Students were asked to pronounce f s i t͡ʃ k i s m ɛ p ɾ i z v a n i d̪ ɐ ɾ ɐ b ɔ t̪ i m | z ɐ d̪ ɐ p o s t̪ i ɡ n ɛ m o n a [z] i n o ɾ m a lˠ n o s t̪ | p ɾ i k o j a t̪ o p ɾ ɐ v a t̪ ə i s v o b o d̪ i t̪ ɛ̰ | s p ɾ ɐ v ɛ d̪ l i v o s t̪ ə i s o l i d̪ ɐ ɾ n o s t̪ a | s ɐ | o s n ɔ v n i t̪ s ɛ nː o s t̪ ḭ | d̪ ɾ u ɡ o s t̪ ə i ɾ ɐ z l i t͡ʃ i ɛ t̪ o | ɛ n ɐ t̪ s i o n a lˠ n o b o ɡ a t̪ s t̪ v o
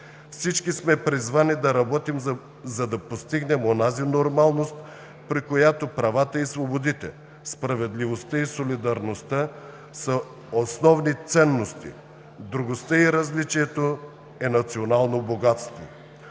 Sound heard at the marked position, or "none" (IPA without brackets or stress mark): z